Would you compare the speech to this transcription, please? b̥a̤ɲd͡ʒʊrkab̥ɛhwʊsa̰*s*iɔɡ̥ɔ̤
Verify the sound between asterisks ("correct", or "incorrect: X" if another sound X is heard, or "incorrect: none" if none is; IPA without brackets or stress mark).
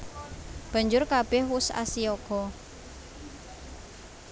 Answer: correct